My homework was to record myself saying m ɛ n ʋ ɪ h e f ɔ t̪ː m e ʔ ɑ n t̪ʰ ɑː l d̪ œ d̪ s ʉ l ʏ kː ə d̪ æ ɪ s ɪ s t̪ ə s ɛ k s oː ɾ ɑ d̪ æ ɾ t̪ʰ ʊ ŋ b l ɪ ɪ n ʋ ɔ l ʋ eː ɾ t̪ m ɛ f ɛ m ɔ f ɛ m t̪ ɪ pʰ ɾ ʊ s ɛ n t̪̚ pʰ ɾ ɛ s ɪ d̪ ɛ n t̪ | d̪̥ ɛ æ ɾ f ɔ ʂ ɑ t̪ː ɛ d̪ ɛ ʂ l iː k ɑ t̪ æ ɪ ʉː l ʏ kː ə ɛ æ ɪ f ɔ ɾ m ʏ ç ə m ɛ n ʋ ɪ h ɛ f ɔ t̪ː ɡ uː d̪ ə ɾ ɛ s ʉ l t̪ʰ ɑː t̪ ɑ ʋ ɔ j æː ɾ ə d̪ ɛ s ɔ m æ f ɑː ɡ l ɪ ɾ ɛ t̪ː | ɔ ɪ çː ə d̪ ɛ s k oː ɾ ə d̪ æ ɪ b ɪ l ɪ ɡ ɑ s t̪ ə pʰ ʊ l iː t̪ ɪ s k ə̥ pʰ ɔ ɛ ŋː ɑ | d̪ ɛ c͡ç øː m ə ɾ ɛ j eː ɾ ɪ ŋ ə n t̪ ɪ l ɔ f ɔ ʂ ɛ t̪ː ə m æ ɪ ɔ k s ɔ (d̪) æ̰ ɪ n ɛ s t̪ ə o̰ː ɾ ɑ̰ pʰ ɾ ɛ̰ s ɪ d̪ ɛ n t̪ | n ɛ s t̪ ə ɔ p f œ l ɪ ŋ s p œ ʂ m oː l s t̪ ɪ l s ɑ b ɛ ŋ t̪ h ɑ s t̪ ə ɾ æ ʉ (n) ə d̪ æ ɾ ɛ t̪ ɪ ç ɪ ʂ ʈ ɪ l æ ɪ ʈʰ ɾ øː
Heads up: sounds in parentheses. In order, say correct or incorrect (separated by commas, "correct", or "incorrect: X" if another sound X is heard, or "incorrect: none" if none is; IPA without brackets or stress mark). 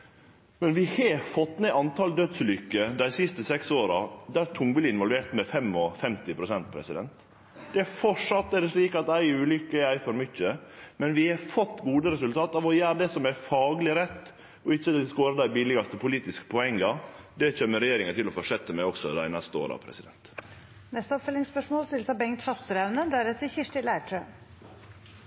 correct, correct